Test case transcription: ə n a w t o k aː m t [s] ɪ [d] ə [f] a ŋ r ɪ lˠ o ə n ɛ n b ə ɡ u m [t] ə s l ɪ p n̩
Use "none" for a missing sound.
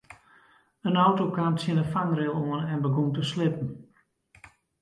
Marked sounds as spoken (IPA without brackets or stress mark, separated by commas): s, n, f, t